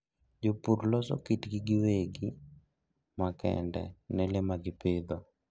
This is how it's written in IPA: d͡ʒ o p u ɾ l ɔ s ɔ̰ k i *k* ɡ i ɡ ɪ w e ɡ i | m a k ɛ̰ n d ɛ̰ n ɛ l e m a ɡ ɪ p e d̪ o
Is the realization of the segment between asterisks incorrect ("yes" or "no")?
yes